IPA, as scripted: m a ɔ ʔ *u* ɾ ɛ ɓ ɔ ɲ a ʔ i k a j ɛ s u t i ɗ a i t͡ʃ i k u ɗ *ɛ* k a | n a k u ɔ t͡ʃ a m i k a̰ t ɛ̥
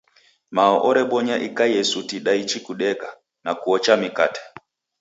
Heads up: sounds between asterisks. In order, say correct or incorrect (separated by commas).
incorrect, correct